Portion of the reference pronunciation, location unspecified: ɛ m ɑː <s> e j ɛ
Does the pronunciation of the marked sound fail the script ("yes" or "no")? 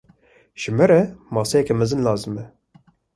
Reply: no